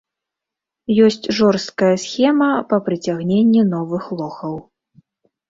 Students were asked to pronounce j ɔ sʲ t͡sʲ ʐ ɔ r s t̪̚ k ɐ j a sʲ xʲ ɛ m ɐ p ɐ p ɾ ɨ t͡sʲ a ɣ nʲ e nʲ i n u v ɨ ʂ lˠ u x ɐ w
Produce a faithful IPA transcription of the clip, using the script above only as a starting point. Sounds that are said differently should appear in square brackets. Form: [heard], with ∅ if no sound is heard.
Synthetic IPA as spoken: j ɔ sʲ t͡sʲ ʐ ɔ r s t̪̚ k ɐ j [ɐ] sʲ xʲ ɛ m ɐ p ɐ p ɾ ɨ t͡sʲ a ɣ nʲ e [nʲː] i n [ɔ] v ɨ [x] lˠ [ɔ] x ɐ w